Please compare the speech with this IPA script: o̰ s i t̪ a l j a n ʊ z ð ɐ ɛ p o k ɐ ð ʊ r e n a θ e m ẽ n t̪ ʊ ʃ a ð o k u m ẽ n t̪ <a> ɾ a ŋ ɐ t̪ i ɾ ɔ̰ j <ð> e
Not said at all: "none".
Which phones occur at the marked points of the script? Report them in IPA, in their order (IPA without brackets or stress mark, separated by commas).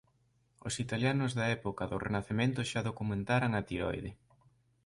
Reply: a, ð